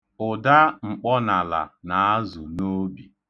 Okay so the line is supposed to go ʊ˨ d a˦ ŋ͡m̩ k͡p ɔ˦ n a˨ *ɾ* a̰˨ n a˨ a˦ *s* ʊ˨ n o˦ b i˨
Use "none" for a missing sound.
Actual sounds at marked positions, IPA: l, z

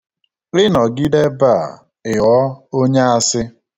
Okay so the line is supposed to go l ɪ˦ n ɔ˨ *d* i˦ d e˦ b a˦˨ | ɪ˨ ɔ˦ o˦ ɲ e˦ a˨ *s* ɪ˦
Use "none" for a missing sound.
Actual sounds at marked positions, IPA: ɡ, s

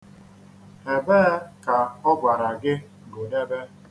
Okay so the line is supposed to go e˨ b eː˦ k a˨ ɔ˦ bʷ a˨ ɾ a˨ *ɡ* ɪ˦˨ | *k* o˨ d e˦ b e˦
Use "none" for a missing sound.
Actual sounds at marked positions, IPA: ɡ, ɡ

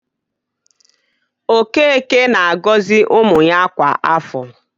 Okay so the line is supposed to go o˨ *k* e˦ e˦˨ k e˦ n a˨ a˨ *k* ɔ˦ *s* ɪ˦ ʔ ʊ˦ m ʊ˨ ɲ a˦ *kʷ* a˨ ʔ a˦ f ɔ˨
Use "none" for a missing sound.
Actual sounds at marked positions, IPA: k, ɡ, z, kʷ

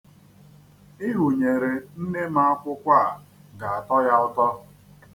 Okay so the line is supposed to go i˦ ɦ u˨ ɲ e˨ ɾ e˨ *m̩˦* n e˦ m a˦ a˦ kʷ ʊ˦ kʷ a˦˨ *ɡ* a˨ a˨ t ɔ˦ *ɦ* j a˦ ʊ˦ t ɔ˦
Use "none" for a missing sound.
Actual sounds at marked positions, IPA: n̩˦, ɡ, none

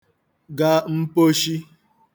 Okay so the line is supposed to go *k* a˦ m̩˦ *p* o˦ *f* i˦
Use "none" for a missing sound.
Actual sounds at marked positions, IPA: ɡ, p, ʃ

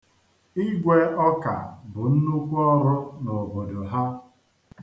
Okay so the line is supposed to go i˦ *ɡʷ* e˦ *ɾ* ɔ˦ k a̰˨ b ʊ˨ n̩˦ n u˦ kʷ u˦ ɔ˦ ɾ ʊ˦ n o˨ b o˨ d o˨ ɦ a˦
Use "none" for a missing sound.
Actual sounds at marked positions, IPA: ɡʷ, none

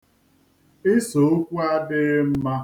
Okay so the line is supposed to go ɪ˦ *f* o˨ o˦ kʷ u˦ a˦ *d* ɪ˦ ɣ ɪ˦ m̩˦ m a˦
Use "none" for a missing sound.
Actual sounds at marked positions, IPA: s, d

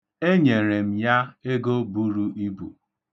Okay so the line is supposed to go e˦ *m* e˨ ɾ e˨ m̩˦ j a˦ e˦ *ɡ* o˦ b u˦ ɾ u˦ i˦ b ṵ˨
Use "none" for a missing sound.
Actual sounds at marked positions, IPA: ɲ, ɡ

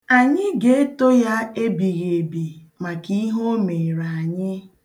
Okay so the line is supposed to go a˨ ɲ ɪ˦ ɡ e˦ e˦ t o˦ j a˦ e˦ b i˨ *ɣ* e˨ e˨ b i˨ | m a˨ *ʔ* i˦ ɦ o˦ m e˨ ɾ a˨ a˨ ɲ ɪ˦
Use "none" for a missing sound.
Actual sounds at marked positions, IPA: ɣ, k

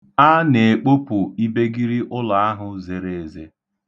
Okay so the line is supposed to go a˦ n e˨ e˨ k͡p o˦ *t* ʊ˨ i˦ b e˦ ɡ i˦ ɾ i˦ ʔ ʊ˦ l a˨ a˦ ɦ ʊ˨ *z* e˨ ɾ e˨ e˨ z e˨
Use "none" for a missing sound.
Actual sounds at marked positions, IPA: p, z

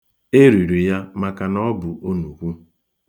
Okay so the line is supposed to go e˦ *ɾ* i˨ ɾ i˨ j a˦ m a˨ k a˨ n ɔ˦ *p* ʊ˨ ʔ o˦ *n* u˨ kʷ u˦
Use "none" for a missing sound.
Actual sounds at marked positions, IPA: ɾ, b, n

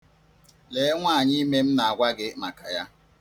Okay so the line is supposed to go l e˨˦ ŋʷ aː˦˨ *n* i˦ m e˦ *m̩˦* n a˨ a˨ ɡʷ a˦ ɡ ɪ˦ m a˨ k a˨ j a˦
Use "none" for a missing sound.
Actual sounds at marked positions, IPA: ɲ, m̩˦

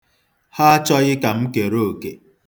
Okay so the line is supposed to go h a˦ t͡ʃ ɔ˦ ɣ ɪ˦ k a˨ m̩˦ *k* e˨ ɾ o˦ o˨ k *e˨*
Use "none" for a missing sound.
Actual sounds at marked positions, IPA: k, e˨

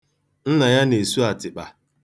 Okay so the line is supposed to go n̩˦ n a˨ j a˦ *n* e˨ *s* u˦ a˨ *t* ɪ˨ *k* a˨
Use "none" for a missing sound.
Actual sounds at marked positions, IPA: n, s, t, k͡p

